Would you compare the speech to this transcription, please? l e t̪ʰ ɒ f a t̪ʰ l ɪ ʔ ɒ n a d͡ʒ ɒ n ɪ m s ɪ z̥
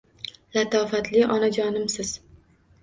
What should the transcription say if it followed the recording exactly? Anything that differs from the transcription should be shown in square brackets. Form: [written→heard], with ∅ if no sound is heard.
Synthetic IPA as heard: l [e→a] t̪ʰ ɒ f a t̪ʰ l ɪ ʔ ɒ n a d͡ʒ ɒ n ɪ m s ɪ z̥